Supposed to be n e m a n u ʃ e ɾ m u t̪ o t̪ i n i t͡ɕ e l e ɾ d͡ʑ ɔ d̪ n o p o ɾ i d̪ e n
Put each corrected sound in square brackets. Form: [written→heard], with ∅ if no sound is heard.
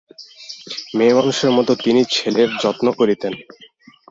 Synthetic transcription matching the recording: [n→m] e m a n u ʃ e ɾ m [u→ɔ] t̪ o t̪ i n i [t͡ɕ→t͡ɕʰ] e l e ɾ d͡ʑ ɔ [d̪→t̪] n o [p→k] o ɾ i [d̪→t̪] e n